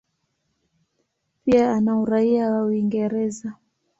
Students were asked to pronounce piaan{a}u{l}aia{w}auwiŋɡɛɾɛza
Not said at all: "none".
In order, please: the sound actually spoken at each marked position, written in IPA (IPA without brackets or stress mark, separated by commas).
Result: a, ɾ, w